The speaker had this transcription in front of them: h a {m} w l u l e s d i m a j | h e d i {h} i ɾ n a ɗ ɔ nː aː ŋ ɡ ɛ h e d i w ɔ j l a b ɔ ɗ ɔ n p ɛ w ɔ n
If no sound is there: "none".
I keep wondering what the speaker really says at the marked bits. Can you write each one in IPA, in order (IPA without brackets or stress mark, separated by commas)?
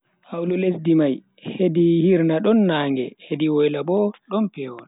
none, h